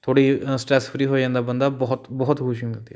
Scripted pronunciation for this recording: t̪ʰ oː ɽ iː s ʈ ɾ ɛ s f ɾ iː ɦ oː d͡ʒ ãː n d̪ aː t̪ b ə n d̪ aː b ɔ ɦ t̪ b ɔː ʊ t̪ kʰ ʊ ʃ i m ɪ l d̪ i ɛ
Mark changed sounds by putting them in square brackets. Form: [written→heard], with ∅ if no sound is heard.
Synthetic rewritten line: t̪ʰ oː ɽ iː s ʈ ɾ ɛ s f ɾ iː ɦ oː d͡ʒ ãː n d̪ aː [t̪→∅] b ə n d̪ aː b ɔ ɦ t̪ b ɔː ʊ t̪ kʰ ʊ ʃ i m ɪ l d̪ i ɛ